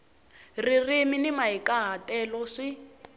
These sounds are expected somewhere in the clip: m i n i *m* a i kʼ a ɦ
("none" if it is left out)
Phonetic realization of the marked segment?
m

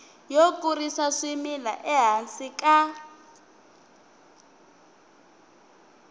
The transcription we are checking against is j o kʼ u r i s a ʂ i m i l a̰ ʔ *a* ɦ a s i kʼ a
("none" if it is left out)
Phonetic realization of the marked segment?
ɛ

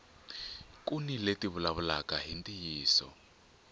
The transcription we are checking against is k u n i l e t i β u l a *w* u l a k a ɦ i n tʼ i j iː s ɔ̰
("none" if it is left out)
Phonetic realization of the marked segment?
β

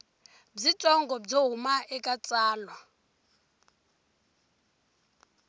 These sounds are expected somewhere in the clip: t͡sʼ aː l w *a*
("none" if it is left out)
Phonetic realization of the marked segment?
a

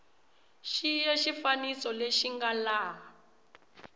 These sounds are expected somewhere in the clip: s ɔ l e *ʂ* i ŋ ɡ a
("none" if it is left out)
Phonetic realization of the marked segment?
ʃ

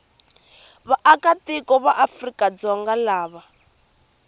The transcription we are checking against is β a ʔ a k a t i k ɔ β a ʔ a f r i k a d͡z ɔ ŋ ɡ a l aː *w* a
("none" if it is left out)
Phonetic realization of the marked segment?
β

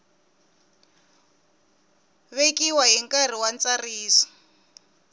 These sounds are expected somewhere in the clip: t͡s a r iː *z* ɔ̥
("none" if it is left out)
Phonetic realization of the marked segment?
s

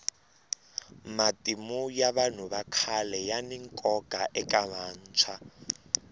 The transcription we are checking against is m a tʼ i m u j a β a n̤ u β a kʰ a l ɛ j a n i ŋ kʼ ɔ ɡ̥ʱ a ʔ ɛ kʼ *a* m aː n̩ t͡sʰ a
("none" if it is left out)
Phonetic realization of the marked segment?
a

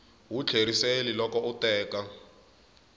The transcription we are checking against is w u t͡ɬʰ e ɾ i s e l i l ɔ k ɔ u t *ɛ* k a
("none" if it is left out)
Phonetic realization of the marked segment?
ɛː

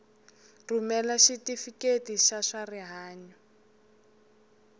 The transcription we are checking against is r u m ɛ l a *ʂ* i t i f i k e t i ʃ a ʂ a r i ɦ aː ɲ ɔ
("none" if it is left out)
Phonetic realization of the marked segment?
ʃ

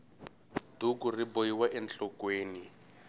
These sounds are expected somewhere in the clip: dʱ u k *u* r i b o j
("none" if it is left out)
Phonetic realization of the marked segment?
u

